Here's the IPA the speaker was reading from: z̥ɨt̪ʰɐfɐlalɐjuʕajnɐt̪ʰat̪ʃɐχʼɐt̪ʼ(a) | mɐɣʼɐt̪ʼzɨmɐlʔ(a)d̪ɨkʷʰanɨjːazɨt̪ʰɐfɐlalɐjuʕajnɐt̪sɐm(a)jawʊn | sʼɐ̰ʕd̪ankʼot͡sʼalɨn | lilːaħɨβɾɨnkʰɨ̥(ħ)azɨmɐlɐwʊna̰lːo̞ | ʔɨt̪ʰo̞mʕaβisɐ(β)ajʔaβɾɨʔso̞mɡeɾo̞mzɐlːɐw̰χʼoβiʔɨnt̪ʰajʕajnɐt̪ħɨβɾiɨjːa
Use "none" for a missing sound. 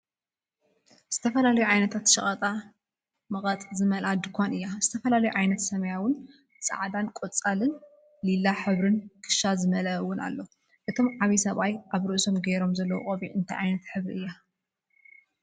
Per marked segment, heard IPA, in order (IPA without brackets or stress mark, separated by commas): a, a, ɐ, ʃ, β